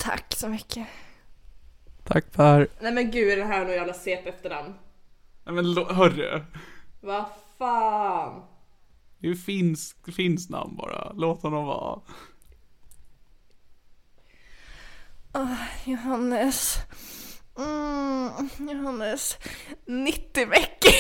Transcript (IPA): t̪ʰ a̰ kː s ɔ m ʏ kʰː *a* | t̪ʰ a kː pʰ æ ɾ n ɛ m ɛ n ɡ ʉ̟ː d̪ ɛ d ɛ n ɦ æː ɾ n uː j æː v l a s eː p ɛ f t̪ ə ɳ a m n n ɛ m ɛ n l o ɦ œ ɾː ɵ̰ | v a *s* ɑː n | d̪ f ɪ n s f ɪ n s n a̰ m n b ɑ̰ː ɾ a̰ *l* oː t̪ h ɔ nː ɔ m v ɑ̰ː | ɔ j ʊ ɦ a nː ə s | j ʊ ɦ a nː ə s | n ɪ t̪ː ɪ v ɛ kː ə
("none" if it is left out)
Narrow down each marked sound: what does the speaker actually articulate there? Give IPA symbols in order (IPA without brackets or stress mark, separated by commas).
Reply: ə, f, l